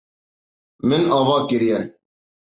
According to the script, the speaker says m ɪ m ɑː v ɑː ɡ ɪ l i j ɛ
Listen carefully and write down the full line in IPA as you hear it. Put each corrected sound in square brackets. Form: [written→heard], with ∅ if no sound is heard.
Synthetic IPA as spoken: m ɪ [m→n] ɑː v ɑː [ɡ→k] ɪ [l→ɾ] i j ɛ